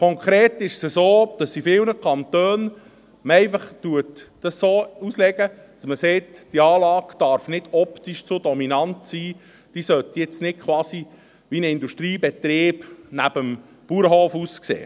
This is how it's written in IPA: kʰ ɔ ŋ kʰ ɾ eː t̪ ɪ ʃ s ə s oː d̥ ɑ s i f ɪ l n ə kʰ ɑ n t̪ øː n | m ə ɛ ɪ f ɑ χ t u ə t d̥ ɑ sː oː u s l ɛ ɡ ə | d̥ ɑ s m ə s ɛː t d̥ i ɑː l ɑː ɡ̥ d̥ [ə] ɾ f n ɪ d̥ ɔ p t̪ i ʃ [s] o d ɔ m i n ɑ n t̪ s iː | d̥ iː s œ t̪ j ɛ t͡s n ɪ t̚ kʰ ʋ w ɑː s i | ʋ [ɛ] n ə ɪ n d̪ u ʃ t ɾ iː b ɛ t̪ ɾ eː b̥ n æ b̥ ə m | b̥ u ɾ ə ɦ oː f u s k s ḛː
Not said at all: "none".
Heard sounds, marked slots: ɑ, t͡s, i

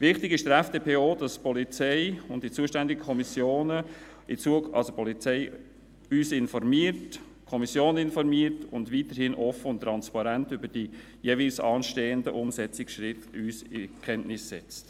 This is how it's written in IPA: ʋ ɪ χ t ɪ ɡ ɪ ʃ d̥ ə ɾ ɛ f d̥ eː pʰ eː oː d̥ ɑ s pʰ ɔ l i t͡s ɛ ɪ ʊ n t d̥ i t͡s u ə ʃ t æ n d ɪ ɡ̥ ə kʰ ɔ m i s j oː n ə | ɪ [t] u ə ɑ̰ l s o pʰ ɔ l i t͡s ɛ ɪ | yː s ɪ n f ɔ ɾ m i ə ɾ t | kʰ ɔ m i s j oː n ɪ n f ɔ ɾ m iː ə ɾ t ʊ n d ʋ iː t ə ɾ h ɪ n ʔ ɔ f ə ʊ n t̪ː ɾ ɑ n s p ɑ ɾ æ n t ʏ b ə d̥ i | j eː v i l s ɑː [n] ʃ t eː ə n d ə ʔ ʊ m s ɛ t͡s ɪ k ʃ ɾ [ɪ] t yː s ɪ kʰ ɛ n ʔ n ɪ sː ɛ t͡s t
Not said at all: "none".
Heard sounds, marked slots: t͡s, n, ɪ

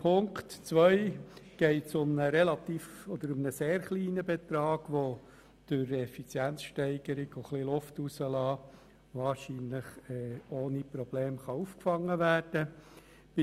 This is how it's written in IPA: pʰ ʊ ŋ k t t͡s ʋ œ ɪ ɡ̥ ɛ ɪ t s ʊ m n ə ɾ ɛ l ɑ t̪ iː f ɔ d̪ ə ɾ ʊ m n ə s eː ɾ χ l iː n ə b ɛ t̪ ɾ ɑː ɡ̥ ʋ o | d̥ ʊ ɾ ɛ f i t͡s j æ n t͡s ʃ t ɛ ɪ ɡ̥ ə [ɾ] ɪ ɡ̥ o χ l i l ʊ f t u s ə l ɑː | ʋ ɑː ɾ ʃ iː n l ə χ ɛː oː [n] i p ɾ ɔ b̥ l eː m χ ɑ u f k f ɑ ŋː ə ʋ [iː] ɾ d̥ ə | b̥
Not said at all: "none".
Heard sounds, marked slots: ɾ, n, æː

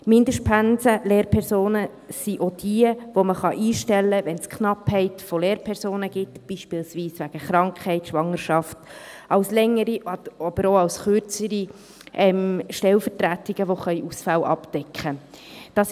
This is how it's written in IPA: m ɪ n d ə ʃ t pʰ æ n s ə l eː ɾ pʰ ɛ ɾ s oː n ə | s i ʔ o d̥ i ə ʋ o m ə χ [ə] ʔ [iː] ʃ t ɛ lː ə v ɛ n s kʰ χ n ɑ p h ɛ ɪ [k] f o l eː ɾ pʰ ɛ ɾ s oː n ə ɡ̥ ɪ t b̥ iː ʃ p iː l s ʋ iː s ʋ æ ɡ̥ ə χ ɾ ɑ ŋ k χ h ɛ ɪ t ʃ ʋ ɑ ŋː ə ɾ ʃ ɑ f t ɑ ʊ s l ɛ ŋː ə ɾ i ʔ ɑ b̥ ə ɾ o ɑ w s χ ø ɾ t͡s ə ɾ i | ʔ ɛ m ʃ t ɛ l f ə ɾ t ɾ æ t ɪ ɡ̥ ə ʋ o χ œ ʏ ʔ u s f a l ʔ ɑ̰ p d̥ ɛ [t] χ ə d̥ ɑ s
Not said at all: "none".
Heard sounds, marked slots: ɑ, iː, t, k

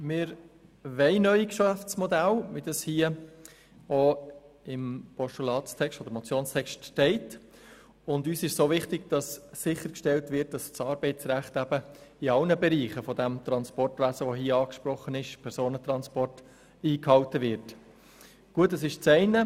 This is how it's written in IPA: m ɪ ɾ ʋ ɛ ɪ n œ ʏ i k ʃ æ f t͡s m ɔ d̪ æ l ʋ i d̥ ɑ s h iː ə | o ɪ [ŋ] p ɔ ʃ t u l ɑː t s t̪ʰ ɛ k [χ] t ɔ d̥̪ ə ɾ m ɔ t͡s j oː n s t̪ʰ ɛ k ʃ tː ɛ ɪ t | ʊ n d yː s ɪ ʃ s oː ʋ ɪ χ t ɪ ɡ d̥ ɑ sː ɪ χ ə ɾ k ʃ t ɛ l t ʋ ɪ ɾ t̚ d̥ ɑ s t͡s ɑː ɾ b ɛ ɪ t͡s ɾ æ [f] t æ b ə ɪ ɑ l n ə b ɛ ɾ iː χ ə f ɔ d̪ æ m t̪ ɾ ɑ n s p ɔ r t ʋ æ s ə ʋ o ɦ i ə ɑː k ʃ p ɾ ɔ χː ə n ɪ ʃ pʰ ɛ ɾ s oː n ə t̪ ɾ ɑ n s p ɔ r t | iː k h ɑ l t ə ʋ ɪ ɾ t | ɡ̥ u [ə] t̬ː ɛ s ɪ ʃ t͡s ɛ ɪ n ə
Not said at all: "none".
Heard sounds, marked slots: m, ʃ, χ, ə

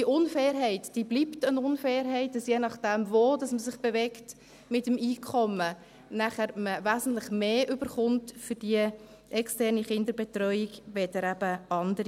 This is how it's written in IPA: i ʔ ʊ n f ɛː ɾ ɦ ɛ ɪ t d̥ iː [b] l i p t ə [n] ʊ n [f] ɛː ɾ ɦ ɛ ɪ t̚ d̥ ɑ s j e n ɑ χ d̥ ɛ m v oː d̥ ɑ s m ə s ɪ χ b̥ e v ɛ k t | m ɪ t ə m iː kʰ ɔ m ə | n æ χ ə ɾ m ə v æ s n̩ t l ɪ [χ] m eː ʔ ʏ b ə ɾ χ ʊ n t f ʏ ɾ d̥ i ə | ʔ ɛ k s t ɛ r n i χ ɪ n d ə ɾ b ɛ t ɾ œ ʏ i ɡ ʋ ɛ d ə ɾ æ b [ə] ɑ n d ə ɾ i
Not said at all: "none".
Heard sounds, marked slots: b, n, f, χ, ə

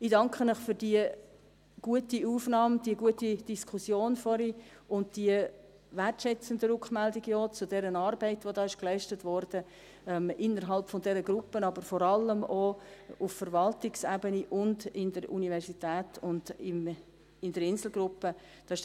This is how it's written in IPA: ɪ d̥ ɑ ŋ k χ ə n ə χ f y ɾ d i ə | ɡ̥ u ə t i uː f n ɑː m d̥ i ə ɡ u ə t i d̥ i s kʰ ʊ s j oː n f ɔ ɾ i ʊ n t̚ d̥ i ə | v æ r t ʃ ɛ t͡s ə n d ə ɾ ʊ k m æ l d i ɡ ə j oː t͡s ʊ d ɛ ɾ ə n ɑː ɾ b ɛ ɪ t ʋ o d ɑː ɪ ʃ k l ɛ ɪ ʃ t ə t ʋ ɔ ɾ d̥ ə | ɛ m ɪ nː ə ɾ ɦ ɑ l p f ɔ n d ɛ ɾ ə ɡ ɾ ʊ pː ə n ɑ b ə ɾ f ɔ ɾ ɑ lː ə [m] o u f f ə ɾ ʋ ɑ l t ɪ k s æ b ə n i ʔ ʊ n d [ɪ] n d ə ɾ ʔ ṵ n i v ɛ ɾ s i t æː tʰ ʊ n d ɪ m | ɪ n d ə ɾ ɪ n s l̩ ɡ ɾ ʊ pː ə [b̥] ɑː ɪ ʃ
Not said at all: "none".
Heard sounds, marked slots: m, ɪ, d̥

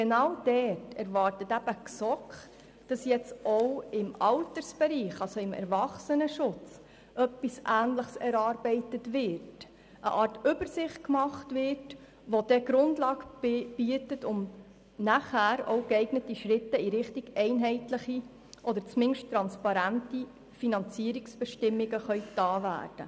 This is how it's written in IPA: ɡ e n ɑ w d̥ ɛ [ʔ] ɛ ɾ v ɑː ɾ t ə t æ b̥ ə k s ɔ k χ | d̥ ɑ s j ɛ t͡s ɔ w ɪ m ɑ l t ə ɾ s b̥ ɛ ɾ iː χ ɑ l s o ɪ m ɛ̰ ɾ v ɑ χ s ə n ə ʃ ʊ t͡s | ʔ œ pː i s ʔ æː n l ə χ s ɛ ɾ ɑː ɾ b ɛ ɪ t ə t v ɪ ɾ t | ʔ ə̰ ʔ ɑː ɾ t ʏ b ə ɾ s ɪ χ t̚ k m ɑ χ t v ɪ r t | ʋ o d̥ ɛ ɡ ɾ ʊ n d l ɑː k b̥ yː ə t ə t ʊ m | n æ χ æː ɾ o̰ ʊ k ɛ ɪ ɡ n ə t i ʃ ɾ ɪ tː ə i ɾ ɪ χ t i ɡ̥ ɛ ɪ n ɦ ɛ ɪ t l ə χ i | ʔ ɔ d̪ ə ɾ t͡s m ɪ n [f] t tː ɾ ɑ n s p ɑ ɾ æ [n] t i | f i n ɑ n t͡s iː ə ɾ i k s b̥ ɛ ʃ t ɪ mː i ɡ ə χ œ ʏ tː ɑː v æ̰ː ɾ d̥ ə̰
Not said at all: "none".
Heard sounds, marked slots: t, ʃ, n

